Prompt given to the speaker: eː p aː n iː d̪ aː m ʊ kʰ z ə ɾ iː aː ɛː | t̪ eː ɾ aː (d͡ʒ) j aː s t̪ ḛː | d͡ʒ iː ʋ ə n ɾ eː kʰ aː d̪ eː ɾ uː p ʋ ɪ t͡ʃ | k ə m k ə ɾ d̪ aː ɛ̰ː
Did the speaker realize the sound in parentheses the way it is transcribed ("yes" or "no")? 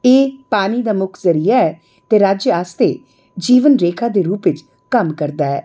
yes